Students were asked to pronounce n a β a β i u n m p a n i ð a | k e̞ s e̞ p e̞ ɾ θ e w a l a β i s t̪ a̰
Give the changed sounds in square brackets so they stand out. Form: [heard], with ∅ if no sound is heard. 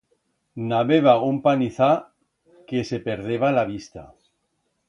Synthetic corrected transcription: n a β [e] β [a] u [∅] m p a n i [θ] a | k e̞ s e̞ p e̞ ɾ [ð] e [β] a l a β i s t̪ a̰